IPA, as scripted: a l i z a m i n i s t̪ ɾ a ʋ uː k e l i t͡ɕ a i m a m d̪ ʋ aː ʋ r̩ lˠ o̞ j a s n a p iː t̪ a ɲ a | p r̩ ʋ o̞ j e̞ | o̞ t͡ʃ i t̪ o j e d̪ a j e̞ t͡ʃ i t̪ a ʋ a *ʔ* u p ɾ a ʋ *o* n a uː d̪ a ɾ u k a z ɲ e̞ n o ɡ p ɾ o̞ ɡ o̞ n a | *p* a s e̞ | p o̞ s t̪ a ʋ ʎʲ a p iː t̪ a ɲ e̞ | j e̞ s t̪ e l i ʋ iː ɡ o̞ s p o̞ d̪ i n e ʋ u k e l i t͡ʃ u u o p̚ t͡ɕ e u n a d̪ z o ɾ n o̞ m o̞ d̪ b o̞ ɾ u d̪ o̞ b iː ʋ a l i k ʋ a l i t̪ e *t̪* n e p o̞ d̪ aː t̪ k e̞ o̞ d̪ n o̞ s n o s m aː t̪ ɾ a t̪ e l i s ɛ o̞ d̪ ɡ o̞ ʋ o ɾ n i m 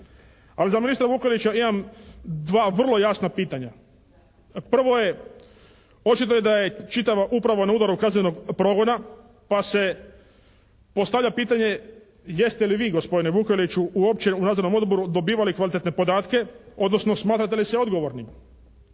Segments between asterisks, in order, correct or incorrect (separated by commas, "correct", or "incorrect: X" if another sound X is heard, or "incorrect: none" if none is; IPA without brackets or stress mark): correct, correct, correct, correct